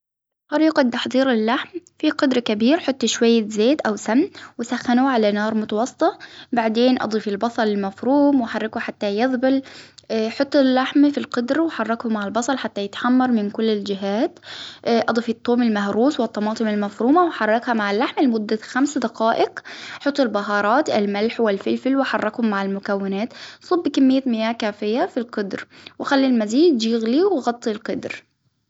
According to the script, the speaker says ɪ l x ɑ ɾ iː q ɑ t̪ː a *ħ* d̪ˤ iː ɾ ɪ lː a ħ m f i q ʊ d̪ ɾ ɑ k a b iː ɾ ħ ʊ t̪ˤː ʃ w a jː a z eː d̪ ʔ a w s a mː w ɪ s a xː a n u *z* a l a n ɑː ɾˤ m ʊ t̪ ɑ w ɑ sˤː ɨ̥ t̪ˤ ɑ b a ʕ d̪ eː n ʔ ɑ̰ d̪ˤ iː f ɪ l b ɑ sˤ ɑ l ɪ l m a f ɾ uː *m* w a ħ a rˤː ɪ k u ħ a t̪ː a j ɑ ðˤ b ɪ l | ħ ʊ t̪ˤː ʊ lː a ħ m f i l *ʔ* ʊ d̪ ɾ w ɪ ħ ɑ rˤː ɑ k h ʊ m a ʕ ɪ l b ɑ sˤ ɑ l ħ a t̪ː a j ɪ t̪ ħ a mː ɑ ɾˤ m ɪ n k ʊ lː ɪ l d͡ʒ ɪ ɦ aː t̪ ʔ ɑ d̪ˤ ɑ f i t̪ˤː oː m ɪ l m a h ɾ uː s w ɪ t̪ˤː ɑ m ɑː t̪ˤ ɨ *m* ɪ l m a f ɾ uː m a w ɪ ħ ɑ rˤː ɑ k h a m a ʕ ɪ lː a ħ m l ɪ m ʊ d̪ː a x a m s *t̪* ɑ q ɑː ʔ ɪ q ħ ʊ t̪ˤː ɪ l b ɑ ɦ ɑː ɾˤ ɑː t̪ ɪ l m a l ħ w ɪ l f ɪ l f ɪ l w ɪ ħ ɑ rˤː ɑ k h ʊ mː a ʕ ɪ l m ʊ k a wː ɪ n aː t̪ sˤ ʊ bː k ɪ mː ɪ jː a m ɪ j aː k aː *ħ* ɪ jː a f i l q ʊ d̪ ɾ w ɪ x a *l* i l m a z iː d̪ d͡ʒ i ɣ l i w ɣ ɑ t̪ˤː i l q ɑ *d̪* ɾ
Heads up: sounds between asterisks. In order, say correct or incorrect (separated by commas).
correct, incorrect, correct, incorrect, correct, incorrect, incorrect, incorrect, correct